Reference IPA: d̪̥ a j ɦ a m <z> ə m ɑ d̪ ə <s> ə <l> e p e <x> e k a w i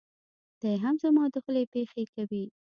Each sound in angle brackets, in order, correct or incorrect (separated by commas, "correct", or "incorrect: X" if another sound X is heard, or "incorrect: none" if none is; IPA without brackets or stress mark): correct, incorrect: x, correct, correct